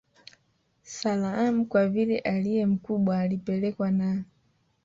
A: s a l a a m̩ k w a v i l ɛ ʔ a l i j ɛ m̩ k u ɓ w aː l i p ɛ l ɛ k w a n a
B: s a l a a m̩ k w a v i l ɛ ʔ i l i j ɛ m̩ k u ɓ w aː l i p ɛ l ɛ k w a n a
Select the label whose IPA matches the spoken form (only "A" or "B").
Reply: A